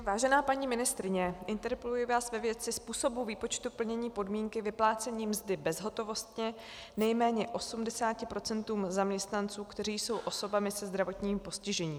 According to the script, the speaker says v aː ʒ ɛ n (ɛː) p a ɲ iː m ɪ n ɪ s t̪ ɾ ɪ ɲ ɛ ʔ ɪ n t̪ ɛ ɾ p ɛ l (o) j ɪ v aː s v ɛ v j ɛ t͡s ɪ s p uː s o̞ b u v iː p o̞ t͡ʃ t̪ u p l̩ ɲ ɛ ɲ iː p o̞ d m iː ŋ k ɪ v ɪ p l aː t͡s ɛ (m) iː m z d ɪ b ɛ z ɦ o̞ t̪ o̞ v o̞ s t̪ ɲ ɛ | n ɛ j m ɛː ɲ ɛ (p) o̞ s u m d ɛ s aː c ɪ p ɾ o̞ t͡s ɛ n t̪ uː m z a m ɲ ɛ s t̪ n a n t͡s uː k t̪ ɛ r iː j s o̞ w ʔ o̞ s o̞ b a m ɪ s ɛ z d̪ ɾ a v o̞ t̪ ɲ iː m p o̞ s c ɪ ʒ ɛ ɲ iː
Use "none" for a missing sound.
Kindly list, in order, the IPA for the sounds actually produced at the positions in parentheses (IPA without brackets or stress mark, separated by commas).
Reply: aː, u, ɲ, ʔ